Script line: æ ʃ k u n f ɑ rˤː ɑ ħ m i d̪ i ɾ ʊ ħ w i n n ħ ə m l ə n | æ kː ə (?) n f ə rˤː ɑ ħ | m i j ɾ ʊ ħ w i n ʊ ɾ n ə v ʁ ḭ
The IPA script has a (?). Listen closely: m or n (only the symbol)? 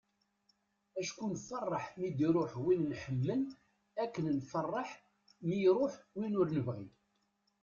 n